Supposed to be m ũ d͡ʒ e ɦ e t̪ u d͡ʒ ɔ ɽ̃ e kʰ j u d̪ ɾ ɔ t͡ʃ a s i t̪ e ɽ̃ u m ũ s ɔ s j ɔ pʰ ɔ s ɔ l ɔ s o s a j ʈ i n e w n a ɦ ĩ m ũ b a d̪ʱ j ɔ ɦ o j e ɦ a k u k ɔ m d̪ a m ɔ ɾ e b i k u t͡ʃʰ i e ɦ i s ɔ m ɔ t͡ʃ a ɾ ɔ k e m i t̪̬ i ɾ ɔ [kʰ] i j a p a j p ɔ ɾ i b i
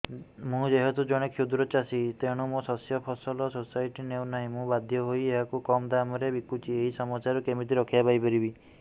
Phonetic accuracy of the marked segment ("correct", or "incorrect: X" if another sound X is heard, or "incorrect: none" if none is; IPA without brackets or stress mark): correct